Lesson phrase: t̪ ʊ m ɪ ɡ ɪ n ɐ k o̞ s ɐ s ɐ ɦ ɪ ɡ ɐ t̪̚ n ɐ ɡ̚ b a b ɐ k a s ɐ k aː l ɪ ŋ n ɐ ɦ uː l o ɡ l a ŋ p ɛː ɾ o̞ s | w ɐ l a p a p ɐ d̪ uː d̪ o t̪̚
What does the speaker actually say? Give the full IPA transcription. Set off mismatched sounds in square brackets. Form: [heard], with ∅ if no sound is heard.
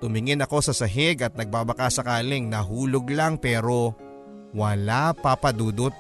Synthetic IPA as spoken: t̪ ʊ m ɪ [ŋ] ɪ n ɐ k o̞ s ɐ s ɐ ɦ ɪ ɡ ɐ t̪̚ n ɐ ɡ̚ b a b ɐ k a s ɐ k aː l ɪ ŋ n ɐ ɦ uː l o ɡ l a ŋ p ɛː ɾ o̞ [∅] | w ɐ l a p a p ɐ d̪ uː d̪ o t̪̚